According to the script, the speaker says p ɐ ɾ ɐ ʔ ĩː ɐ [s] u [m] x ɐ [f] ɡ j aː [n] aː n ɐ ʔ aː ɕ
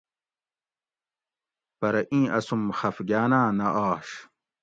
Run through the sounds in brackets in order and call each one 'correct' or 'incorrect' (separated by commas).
correct, correct, correct, correct